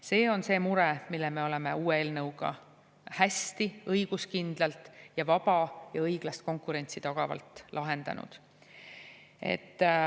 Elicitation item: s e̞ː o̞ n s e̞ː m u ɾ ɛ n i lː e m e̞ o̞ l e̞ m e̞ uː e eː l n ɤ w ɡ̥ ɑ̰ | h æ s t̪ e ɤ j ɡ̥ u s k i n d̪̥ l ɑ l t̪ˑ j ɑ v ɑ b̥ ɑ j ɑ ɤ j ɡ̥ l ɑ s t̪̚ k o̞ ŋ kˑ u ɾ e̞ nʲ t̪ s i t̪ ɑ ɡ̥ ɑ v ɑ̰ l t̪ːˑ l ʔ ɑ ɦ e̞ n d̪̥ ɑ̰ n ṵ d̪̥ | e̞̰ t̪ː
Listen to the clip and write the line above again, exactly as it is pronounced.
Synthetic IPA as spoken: s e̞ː o̞ n s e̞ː m u ɾ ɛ m i lː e m e̞ o̞ l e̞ m e̞ uː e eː l n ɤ w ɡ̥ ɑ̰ | h æ s t̪ i ɤ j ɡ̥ u s k i n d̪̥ l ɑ l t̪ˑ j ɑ v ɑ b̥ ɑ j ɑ ɤ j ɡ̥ l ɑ s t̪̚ k o̞ ŋ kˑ u ɾ e̞ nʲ t̪ s i t̪ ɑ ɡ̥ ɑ v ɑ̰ l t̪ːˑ l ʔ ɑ ɦ e̞ n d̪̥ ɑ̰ n ṵ d̪̥ | e̞̰ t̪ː